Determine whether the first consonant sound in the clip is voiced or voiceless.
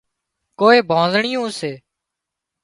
voiceless